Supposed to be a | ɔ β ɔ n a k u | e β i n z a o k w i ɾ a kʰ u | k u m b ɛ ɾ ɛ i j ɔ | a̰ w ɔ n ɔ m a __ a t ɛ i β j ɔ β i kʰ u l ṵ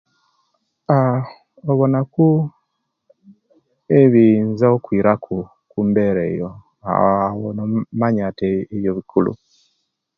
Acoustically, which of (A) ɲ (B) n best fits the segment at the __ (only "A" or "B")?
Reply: A